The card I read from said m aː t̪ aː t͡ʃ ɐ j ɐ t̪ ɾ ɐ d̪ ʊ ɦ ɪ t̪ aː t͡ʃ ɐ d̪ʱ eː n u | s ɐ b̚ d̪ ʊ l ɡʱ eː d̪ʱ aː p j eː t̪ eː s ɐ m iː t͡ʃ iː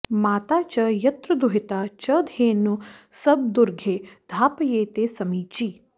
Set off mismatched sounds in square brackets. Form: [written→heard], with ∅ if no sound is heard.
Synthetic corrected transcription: m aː t̪ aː t͡ʃ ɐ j ɐ t̪ ɾ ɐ d̪ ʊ ɦ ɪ t̪ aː t͡ʃ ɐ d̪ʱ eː n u | s ɐ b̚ d̪ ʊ [l→ɾ] ɡʱ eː d̪ʱ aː p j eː t̪ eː s ɐ m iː t͡ʃ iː